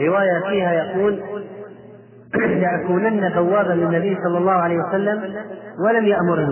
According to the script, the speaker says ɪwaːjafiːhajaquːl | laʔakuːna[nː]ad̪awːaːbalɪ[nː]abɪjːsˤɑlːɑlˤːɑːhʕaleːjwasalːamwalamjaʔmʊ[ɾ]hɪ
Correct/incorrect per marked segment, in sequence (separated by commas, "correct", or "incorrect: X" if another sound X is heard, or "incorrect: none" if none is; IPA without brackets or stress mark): correct, correct, correct